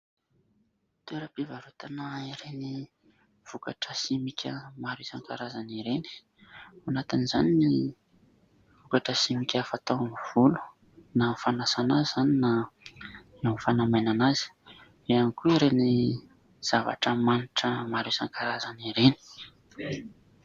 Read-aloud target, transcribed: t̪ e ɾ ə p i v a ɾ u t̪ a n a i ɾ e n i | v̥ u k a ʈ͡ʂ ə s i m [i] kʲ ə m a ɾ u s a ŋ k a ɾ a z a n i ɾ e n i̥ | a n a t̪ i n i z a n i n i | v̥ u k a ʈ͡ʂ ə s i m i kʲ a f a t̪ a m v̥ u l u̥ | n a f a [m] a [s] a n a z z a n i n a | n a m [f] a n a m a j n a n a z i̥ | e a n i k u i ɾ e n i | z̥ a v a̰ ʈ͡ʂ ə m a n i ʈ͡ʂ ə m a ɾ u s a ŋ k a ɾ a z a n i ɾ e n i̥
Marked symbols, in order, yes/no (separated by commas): yes, no, yes, yes